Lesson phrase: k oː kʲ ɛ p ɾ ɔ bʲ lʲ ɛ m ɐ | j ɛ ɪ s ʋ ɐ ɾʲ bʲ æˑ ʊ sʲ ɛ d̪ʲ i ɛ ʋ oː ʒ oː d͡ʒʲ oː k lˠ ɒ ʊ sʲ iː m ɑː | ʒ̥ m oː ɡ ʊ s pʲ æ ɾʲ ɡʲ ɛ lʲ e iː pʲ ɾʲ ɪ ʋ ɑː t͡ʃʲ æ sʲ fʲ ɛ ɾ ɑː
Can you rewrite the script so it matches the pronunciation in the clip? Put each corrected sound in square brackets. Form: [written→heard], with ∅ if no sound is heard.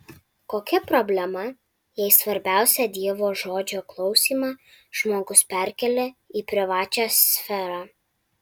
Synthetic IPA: k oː kʲ ɛ p ɾ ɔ bʲ lʲ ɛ m ɐ | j ɛ ɪ s ʋ ɐ ɾʲ bʲ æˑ ʊ sʲ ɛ d̪ʲ i ɛ ʋ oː ʒ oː d͡ʒʲ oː k lˠ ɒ ʊ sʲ iː m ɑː | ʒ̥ m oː ɡ ʊ s pʲ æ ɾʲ [ɡʲ→kʲ] ɛ lʲ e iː pʲ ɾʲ ɪ ʋ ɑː t͡ʃʲ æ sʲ fʲ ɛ ɾ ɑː